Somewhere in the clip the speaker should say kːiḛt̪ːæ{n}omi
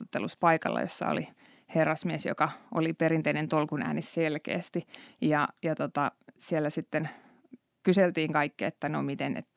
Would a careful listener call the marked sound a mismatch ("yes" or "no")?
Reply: no